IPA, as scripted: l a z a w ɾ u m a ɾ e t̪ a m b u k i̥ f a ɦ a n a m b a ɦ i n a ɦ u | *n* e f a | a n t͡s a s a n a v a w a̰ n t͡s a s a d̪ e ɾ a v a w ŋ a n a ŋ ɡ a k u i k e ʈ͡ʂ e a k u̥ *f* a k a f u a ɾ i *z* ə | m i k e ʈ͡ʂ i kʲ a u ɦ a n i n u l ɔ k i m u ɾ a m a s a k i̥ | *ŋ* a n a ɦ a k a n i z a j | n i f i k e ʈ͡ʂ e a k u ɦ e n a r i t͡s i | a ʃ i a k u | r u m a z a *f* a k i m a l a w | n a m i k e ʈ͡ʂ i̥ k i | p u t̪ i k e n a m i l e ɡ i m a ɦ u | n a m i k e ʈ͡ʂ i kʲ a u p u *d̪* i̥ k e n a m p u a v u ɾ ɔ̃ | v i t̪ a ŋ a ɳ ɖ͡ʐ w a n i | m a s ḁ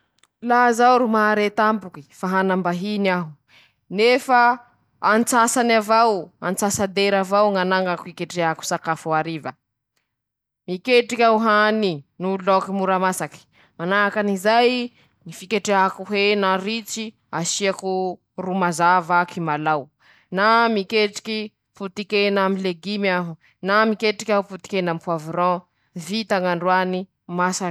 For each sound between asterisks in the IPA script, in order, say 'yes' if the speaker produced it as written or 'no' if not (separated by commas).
yes, no, no, no, no, no